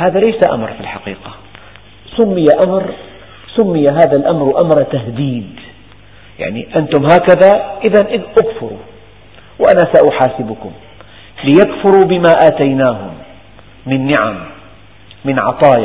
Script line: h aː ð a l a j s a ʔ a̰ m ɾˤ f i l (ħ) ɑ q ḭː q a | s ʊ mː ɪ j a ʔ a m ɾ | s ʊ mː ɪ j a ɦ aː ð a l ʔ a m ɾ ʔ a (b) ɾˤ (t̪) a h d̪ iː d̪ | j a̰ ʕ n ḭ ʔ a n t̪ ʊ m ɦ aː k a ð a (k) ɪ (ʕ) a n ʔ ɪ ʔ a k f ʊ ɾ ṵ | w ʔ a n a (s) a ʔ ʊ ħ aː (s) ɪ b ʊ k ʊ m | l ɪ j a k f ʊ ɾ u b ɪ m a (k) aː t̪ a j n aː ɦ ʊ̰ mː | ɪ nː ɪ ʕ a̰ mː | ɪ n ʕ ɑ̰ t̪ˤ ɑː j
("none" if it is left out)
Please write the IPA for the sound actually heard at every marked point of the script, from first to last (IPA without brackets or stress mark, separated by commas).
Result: ħ, m, t̪, ʔ, ð, s, s, ʔ